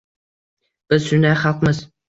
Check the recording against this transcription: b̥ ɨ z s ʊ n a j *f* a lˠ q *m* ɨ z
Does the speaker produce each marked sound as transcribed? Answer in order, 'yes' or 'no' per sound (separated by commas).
no, yes